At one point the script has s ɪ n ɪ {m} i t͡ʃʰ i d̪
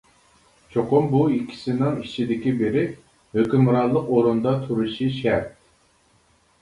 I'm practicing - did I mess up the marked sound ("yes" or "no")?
yes